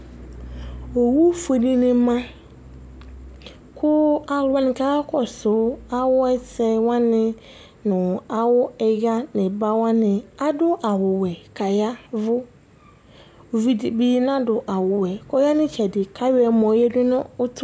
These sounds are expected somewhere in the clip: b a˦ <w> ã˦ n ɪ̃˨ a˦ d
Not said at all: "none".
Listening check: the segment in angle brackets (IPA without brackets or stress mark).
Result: w